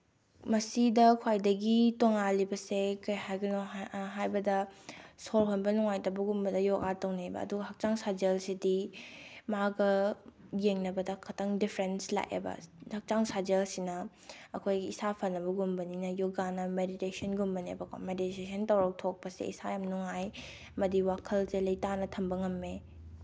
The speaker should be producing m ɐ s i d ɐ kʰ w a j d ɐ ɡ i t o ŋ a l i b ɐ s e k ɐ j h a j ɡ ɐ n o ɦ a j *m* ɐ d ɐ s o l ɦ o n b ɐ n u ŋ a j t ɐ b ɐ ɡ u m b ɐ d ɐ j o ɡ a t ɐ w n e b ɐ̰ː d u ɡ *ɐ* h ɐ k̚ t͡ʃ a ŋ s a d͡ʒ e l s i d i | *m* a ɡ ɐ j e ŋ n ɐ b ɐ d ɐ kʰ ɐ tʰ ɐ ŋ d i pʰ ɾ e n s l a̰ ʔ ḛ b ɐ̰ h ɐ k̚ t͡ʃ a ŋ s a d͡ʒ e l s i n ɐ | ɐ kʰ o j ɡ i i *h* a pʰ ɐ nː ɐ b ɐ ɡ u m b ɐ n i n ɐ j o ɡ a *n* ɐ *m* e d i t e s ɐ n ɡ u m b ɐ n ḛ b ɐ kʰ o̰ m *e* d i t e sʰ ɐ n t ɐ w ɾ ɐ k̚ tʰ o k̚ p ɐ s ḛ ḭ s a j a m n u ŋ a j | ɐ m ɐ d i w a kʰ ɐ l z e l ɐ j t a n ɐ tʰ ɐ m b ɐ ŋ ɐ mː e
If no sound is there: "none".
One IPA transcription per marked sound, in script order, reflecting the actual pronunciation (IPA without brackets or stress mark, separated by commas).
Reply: b, ɐ, m, s, n, m, e